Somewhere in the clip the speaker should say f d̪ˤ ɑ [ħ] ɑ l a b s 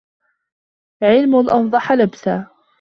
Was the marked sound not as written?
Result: no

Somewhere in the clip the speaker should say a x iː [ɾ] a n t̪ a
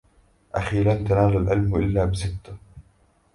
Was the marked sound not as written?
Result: yes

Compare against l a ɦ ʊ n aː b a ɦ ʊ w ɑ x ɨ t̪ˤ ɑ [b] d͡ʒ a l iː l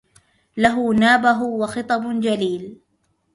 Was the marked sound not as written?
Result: no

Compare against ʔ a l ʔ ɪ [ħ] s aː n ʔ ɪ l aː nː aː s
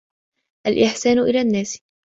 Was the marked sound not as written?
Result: no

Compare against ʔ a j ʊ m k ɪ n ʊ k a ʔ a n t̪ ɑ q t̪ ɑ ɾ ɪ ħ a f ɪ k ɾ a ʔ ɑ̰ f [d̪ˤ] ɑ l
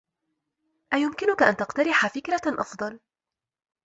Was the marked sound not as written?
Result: no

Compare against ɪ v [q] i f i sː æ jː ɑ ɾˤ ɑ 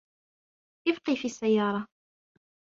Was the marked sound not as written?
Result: no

